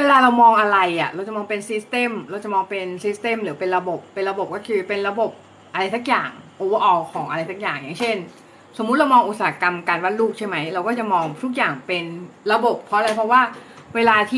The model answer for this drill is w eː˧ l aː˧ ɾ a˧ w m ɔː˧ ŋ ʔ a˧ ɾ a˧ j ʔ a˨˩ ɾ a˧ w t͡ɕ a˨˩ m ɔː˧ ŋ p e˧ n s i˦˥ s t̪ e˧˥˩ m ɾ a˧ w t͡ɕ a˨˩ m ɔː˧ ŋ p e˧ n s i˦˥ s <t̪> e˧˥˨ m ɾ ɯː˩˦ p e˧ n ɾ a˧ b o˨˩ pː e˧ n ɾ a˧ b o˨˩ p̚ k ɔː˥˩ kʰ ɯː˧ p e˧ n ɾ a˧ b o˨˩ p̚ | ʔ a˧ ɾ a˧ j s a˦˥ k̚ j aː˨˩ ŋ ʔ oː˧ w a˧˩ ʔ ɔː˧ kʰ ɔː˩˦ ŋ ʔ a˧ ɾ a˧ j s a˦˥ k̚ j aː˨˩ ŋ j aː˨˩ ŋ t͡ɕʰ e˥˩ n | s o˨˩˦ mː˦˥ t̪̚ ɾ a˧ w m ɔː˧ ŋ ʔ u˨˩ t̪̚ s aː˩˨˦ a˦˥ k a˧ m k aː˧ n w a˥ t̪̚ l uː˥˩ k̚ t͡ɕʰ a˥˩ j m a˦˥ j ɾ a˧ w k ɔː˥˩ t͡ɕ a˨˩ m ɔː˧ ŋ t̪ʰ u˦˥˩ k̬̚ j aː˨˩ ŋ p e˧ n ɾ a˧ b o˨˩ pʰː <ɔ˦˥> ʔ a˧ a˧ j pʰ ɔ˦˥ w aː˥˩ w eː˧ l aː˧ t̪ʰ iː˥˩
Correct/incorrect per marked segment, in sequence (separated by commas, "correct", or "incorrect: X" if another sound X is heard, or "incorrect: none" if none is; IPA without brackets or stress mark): correct, correct